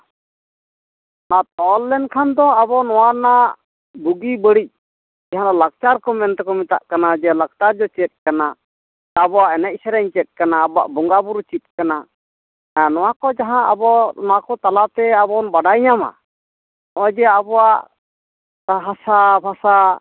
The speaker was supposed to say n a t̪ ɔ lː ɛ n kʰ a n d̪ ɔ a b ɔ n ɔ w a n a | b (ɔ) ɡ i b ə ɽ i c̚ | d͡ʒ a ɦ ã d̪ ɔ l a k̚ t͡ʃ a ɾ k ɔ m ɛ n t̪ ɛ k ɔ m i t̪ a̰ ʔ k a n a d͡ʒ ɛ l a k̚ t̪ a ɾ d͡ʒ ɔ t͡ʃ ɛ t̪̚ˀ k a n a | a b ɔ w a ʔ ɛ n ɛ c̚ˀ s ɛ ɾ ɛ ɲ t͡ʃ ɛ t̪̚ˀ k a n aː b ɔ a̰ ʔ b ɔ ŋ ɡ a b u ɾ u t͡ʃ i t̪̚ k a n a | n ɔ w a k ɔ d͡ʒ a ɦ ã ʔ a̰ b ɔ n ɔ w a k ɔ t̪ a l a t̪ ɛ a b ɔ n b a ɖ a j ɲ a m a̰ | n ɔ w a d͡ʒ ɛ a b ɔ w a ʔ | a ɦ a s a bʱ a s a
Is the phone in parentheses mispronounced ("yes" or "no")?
yes